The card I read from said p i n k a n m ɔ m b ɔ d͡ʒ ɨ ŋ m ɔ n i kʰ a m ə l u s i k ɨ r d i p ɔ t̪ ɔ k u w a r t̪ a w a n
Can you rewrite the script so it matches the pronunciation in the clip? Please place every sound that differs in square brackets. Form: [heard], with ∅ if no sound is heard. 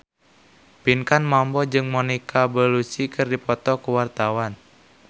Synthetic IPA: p i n k a n m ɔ m b ɔ d͡ʒ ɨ ŋ m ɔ n i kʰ a [b] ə l u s i k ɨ r d i p ɔ t̪ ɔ k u w a r t̪ a w a n

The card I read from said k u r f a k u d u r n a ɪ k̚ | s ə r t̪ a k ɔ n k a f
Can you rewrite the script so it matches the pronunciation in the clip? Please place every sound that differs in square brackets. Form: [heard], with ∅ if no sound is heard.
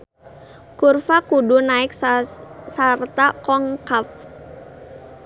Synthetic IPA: k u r f a k u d u [∅] n a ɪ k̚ | s [a] r t̪ a k ɔ [ŋ] k a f

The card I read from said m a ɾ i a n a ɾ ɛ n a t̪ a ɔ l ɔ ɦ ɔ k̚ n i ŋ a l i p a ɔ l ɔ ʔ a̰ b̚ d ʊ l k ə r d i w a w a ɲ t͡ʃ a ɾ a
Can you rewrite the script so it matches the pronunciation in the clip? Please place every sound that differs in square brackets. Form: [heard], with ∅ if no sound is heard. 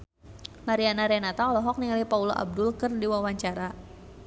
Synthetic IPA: m a ɾ i a n a ɾ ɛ n a t̪ a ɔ l ɔ ɦ ɔ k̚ n i ŋ a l i p a [u] l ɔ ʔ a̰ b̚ d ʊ l k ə r d i w a w a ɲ t͡ʃ a ɾ a

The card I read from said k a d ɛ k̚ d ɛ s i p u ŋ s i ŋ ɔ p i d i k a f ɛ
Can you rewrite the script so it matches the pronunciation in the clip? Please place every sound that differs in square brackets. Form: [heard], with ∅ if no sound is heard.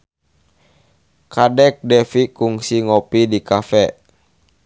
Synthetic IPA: k a d ɛ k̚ d ɛ [f] i [k] u ŋ s i ŋ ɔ p i d i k a f ɛ

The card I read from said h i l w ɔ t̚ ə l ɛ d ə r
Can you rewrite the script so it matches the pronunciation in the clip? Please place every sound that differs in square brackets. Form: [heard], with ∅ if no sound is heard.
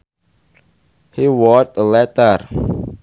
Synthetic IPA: h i [∅] w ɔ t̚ ə l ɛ [t] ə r

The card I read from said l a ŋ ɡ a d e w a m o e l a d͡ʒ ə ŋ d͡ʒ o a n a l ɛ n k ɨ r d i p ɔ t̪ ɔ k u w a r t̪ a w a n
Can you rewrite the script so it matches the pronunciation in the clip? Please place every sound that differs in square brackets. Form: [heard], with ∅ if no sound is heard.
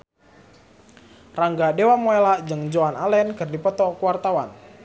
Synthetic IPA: [r] a ŋ ɡ a d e w a m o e l a d͡ʒ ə ŋ d͡ʒ o a n a l ɛ n k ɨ r d i p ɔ t̪ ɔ k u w a r t̪ a w a n

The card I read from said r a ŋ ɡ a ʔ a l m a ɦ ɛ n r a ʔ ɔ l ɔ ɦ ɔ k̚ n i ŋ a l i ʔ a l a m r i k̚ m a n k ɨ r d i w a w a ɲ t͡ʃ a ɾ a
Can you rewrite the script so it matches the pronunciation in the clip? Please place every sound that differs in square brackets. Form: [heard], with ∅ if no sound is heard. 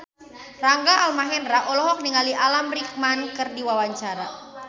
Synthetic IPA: r a ŋ ɡ a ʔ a l m a ɦ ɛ n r a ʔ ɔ l ɔ ɦ ɔ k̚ n i ŋ a l i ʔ a l a m r i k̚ m a n k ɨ r d i w a w a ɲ t͡ʃ a ɾ a

